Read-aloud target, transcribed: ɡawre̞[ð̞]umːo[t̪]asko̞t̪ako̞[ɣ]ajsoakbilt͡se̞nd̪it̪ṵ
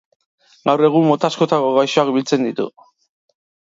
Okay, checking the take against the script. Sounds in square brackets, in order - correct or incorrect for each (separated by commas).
incorrect, correct, correct